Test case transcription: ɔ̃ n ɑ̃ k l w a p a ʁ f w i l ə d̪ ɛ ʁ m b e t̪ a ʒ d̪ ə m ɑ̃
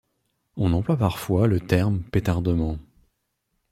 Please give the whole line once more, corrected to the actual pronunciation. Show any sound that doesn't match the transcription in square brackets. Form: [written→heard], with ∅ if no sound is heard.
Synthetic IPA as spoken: ɔ̃ n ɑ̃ [k→p] l w a p a ʁ f w [i→a] l ə [d̪→t̪] ɛ ʁ m [b→p] e t̪ a [ʒ→ʁ] d̪ ə m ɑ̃